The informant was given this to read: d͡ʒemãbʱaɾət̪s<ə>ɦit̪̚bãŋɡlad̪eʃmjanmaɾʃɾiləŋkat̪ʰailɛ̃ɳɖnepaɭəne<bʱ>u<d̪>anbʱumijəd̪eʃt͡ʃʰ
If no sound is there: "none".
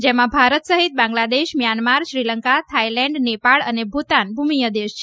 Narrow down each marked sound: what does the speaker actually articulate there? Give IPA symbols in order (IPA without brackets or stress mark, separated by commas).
ə, bʱ, t̪